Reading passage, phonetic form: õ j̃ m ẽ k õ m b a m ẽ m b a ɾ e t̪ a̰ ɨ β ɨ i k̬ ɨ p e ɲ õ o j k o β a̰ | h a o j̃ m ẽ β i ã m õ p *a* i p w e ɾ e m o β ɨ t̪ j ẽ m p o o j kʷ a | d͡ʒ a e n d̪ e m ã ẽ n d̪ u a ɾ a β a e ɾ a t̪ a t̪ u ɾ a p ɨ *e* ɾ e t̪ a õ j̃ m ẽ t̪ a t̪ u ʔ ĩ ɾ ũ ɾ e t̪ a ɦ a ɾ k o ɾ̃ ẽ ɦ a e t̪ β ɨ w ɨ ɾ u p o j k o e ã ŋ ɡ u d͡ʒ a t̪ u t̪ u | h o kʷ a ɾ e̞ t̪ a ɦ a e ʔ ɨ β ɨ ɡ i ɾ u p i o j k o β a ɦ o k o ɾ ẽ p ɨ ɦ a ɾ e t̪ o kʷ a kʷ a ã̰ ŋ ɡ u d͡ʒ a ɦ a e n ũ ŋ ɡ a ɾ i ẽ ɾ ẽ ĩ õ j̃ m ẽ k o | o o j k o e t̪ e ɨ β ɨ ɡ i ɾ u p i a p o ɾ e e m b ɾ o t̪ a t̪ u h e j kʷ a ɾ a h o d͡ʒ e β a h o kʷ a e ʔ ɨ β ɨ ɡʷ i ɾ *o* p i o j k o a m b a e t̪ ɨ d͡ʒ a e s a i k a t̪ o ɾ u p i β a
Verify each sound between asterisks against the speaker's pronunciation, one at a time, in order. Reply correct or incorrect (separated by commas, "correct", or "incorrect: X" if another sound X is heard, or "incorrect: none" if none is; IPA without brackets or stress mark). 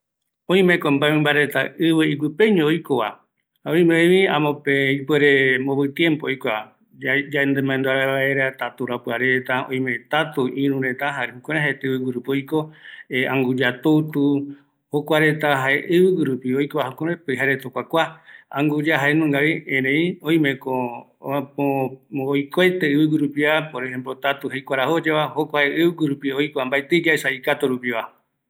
incorrect: e, incorrect: a, incorrect: u